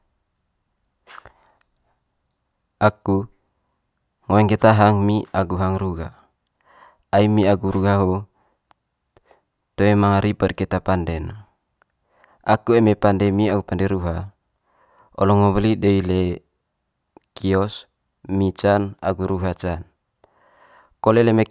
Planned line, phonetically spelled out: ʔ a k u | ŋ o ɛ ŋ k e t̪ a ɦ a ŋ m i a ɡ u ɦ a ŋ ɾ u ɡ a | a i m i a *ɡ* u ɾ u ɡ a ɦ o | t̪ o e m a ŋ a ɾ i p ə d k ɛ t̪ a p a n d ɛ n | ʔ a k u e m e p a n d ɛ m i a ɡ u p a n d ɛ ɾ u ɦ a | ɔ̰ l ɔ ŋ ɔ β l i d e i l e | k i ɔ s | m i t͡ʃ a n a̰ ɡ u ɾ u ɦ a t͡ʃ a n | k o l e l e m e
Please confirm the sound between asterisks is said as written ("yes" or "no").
yes